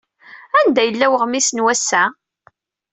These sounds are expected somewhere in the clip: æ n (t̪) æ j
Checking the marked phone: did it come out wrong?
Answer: yes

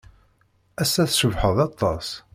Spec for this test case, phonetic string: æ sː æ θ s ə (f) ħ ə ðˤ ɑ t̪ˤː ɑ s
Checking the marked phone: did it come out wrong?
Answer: yes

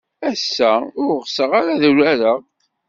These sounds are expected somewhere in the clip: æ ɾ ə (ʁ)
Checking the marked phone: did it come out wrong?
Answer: no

